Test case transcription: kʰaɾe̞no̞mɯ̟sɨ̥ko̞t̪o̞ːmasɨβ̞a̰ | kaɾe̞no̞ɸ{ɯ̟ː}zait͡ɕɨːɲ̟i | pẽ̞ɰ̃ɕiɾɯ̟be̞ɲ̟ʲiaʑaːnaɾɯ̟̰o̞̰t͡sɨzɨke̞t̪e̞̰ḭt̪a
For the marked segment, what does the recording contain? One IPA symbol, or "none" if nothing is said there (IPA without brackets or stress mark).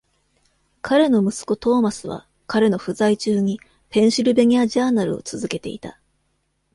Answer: ɯ̟